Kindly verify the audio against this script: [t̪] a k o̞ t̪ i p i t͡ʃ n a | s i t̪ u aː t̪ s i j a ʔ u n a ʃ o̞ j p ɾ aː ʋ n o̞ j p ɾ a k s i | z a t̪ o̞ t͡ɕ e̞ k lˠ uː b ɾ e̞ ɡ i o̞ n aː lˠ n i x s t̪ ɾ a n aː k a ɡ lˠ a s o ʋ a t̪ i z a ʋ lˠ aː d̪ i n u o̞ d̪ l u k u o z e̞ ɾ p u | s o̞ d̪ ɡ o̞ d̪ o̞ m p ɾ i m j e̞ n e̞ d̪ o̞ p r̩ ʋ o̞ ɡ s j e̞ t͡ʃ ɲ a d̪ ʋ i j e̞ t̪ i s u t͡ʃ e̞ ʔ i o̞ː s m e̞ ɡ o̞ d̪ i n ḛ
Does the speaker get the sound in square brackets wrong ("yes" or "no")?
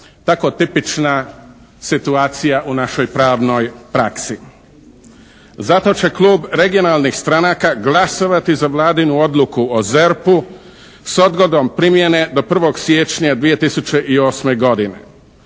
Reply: no